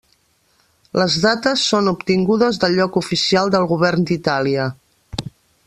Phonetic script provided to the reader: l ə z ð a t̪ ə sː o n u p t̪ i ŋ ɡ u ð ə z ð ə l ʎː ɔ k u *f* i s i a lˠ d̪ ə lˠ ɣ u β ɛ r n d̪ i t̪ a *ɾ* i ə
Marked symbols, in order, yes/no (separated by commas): yes, no